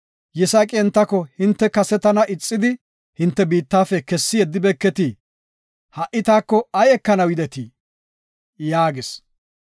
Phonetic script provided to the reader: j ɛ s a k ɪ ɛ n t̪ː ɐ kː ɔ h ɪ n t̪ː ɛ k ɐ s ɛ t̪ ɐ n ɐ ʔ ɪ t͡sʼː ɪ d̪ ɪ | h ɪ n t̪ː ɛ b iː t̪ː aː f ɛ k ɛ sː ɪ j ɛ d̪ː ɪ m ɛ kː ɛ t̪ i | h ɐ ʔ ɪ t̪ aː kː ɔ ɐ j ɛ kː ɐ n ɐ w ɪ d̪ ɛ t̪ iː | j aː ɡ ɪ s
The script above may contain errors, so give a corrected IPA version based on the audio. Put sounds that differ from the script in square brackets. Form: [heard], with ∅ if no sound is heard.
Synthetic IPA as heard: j ɛ s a [kʼ] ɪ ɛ n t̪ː ɐ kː ɔ h ɪ n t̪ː ɛ k ɐ s ɛ t̪ ɐ n ɐ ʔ ɪ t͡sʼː ɪ d̪ ɪ | h ɪ n t̪ː ɛ b iː t̪ː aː f ɛ k ɛ sː ɪ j ɛ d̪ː ɪ [b] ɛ kː ɛ t̪ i | h ɐ ʔ ɪ t̪ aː kː ɔ ɐ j ɛ kː ɐ n ɐ w ɪ d̪ ɛ t̪ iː | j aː ɡ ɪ s